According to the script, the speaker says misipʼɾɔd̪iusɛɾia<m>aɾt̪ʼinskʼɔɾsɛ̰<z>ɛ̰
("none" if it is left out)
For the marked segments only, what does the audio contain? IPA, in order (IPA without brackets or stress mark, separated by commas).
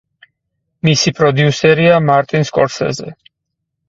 m, z